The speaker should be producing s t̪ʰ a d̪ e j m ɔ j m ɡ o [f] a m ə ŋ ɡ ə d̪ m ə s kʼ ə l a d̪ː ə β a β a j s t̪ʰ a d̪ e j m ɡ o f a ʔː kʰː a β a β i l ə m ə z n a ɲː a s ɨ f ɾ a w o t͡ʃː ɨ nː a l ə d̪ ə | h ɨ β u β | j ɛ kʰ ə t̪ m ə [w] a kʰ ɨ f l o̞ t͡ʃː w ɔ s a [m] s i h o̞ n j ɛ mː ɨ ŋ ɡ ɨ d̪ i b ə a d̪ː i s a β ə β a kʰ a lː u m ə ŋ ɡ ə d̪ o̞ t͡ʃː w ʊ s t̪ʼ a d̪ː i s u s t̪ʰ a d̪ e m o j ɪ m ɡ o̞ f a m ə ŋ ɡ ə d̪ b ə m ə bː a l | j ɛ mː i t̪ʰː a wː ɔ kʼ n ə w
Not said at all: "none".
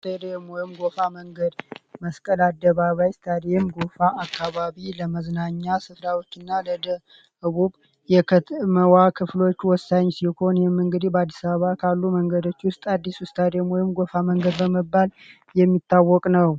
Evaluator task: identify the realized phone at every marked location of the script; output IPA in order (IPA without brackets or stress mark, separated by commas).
f, w, ɲ